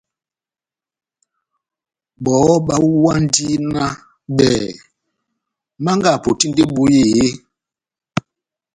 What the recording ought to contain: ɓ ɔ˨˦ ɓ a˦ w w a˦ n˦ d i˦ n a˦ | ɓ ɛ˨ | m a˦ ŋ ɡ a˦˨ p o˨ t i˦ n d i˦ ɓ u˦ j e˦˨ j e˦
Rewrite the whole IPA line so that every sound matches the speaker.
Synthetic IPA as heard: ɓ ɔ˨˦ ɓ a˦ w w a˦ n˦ d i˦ n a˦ | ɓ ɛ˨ | m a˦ ŋ ɡ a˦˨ p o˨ t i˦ n d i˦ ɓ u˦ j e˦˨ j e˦